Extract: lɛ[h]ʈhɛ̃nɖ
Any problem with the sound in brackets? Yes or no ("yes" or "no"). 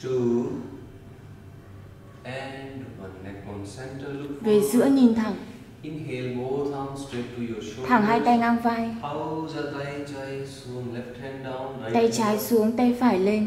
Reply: yes